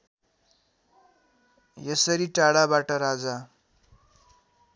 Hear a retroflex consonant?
yes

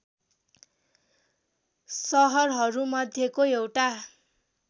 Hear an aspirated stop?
no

